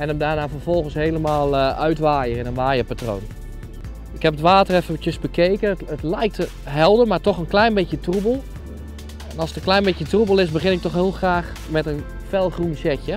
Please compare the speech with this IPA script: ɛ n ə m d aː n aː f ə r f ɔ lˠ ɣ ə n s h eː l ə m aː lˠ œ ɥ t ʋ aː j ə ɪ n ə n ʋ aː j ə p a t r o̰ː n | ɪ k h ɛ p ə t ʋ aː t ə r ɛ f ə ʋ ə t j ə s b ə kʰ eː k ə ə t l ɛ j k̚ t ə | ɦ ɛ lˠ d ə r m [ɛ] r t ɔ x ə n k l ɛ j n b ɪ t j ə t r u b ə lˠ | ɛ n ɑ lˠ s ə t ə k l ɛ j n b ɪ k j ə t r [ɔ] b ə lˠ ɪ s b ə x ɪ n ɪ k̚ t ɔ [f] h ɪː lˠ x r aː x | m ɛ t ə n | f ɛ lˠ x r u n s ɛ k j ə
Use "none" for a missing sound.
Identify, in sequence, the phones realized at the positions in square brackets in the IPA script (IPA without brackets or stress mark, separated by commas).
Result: a, u, x